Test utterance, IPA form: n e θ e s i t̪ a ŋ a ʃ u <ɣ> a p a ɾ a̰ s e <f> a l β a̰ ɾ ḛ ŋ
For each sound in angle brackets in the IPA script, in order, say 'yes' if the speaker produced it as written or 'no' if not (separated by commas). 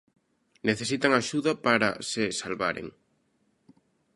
no, no